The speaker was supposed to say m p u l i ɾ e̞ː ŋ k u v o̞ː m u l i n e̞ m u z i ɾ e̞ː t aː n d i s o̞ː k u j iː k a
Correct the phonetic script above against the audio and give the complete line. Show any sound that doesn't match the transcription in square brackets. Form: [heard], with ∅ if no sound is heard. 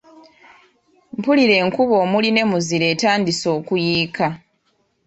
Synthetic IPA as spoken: m p u l i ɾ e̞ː ŋ k u [β] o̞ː m u l i n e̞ m u z i ɾ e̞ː t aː n d i s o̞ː k u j iː k a